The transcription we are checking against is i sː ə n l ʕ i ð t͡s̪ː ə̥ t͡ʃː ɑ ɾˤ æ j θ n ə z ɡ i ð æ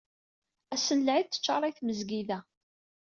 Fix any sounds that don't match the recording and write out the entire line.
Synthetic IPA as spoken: æ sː ə n l ʕ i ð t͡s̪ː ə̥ t͡ʃː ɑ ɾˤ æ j θ m ə z ɡ i ð æ